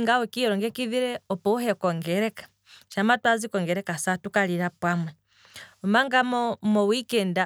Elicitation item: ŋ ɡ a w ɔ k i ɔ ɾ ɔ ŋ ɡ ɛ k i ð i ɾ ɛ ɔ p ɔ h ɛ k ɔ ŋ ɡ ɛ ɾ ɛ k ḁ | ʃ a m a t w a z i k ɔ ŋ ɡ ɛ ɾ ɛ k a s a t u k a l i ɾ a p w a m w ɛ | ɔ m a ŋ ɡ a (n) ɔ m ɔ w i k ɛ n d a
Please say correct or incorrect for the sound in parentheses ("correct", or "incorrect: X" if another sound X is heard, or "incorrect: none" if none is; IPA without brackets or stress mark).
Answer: incorrect: m